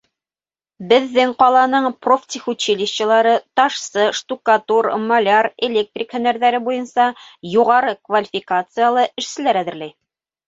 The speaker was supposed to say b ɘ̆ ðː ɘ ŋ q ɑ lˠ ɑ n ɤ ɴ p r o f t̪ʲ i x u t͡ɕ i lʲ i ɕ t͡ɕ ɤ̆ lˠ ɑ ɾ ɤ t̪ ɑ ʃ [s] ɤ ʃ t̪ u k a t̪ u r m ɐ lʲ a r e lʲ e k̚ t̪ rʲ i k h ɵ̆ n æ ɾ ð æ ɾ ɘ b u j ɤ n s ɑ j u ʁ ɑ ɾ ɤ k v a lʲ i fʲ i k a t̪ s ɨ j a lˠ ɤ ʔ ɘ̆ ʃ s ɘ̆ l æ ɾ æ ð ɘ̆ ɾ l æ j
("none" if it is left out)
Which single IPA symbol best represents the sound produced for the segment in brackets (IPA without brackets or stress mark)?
s